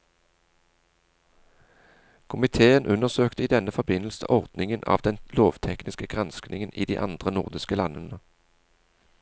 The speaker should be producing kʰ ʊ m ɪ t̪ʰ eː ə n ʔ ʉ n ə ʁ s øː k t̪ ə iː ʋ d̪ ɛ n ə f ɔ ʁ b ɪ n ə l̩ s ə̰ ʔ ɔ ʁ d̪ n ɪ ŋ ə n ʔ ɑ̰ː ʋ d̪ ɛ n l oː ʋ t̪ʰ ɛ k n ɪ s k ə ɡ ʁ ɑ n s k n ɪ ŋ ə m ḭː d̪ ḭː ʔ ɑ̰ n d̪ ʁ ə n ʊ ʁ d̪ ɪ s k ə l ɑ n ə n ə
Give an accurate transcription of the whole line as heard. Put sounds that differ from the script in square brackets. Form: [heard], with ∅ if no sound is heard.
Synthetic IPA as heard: kʰ ʊ m ɪ t̪ʰ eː ə n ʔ ʉ n ə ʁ s øː k t̪ ə iː [∅] d̪ ɛ n ə f ɔ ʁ b ɪ n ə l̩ s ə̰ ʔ ɔ ʁ d̪ n ɪ ŋ ə n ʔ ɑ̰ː ʋ d̪ ɛ n l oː ʋ t̪ʰ ɛ k n ɪ s k ə ɡ ʁ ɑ n s k n ɪ ŋ ə [n] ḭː d̪ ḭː ʔ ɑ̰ n d̪ ʁ ə n ʊ ʁ d̪ ɪ s k ə l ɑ n ə n ə